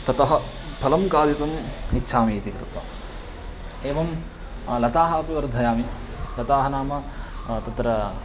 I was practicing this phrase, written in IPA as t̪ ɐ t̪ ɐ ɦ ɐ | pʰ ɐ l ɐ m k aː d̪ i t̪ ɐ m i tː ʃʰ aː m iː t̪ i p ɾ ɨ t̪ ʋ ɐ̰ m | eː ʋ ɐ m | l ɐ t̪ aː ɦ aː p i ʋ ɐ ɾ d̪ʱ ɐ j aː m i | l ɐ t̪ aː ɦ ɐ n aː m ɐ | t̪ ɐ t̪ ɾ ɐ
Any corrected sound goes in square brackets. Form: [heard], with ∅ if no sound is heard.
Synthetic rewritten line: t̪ ɐ t̪ ɐ ɦ ɐ | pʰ ɐ l ɐ m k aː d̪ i t̪ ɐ m i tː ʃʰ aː m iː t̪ i [k] ɾ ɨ t̪ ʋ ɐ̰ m | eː ʋ ɐ m | l ɐ t̪ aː ɦ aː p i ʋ ɐ ɾ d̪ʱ ɐ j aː m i | l ɐ t̪ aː ɦ ɐ n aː m ɐ | t̪ ɐ t̪ ɾ ɐ